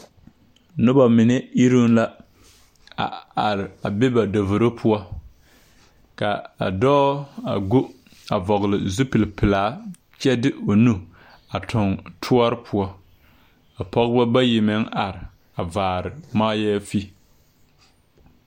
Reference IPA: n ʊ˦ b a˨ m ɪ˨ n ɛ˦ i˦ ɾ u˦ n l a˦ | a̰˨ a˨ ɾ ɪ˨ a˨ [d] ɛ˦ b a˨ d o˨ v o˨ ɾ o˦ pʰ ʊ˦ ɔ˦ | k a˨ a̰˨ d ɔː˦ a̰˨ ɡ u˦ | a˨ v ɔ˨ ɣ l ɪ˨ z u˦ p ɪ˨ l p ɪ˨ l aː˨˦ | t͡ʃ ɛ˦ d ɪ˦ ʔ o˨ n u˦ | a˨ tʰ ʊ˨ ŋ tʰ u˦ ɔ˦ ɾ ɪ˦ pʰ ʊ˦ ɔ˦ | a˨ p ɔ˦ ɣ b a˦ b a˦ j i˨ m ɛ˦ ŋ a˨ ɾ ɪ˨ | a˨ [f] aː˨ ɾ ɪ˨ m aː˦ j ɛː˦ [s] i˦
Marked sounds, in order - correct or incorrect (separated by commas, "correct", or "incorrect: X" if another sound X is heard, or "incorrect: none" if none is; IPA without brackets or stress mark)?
incorrect: b, incorrect: v, incorrect: f